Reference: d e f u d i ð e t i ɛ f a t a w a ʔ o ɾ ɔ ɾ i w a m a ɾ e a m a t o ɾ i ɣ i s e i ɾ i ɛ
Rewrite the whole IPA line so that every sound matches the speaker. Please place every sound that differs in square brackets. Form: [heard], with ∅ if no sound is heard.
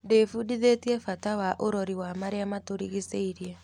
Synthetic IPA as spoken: d e f u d i ð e t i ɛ f a t a w a ʔ o ɾ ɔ ɾ i w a m a ɾ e a m a t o ɾ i ɣ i s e i ɾ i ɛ